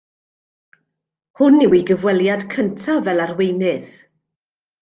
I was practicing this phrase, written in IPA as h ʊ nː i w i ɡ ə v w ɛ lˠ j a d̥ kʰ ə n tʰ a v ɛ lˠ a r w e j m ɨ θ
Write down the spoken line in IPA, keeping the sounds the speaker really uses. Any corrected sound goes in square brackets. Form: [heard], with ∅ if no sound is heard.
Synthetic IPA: h ʊ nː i w i ɡ ə v w ɛ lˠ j a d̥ kʰ ə n tʰ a v ɛ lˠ a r w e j [n] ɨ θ